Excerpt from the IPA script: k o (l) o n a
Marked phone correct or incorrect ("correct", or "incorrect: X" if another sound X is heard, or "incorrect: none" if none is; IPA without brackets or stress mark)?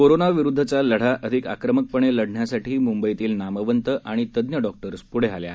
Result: incorrect: ɾ